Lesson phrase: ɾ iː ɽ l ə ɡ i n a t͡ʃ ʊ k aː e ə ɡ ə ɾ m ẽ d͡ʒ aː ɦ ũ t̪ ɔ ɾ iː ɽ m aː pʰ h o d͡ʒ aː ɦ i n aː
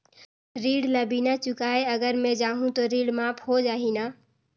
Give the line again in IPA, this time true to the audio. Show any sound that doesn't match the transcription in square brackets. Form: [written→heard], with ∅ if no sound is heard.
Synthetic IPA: ɾ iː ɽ l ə [ɡ→b] i n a t͡ʃ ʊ k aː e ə ɡ ə ɾ m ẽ d͡ʒ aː ɦ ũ t̪ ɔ ɾ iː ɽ m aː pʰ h o d͡ʒ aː ɦ i n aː